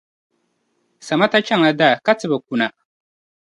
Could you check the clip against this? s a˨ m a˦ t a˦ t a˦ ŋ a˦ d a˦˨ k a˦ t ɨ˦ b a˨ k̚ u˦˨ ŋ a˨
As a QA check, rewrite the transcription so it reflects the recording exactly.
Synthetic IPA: s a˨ m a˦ t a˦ t͡ʃ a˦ ŋ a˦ d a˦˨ k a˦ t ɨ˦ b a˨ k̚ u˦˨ n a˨